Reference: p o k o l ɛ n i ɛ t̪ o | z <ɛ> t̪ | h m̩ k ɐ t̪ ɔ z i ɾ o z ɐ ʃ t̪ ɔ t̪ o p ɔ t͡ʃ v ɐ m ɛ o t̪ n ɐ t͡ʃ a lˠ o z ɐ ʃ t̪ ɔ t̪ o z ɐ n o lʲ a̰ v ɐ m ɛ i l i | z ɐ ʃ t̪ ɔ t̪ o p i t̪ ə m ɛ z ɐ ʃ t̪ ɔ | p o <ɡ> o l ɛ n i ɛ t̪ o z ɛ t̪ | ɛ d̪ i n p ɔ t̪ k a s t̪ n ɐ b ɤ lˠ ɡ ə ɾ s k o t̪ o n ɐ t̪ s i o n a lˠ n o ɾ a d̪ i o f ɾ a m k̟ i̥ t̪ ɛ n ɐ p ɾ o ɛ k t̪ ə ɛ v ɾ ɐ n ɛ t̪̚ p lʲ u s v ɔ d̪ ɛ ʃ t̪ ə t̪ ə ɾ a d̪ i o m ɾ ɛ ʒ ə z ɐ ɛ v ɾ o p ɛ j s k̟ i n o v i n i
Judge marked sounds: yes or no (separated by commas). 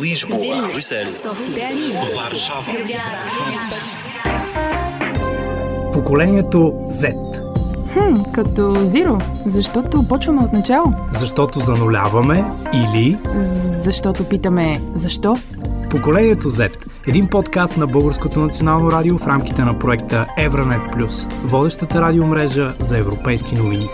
yes, no